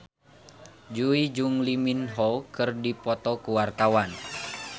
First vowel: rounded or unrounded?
rounded